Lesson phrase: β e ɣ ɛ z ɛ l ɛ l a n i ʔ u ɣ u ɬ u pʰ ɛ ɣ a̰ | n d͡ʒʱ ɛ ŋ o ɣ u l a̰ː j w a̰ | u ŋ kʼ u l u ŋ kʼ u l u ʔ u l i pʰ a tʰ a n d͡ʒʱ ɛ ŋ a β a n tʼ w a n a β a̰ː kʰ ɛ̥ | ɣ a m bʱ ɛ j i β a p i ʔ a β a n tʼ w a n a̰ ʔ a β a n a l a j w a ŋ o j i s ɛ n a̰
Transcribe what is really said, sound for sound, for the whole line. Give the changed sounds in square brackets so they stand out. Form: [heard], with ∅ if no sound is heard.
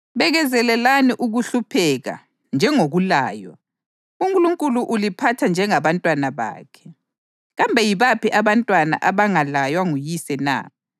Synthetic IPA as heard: β [ɛ] ɣ ɛ z ɛ l ɛ l a n i ʔ u ɣ u ɬ u pʰ ɛ ɣ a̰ | n d͡ʒʱ ɛ ŋ o ɣ u l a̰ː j w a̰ | u ŋ kʼ u l u ŋ kʼ u l u ʔ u l i pʰ a tʰ a n d͡ʒʱ ɛ ŋ a β a n tʼ w a n a β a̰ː kʰ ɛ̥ | ɣ a m bʱ ɛ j i β a p i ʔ a β a n tʼ w a n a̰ ʔ a β a [ŋ] a l a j w a ŋ [u] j i s ɛ n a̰